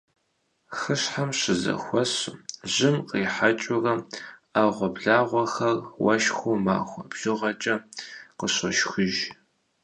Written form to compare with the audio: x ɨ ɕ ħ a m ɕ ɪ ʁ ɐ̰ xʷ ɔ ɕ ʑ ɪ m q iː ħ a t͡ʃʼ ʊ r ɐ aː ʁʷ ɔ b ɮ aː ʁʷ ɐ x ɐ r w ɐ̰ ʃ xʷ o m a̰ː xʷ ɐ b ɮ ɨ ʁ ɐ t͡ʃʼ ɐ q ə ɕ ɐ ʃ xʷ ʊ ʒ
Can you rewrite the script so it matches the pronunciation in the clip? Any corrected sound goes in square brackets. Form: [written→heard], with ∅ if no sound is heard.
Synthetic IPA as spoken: x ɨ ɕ ħ a m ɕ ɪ [ʁ→z] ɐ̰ xʷ ɔ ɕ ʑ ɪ m q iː ħ a t͡ʃʼ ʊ r ɐ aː ʁʷ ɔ b ɮ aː ʁʷ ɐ x ɐ r w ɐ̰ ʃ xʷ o m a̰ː xʷ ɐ b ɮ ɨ ʁ ɐ t͡ʃʼ ɐ q ə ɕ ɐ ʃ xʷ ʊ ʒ